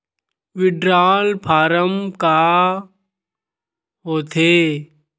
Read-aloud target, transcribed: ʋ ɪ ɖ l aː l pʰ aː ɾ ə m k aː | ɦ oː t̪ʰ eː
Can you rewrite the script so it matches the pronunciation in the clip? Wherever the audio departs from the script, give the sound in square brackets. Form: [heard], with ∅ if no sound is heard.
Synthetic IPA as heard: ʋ ɪ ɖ [ɾ] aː l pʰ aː ɾ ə m k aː | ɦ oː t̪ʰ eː